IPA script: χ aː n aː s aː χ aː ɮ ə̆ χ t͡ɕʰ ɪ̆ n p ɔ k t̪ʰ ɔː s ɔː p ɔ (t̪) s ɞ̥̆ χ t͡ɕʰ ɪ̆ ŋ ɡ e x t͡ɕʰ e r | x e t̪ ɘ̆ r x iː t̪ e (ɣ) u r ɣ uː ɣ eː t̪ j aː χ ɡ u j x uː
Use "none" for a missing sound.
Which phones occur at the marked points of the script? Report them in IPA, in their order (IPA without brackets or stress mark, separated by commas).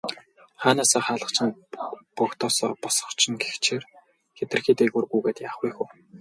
none, ɣ